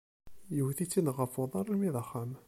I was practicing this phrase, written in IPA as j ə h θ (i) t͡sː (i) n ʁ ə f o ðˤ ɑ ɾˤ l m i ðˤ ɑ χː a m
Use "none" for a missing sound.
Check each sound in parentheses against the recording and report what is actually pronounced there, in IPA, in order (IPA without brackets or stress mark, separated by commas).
i, i